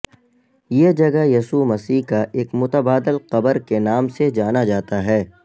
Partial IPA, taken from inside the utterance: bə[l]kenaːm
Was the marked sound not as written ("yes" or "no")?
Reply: yes